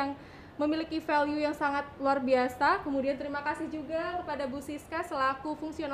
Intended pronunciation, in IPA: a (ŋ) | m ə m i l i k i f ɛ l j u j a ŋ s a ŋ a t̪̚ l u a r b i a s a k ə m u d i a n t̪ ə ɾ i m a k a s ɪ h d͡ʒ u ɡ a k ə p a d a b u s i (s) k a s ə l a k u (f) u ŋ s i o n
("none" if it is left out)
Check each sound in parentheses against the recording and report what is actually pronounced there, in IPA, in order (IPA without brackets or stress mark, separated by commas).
ŋ, s, f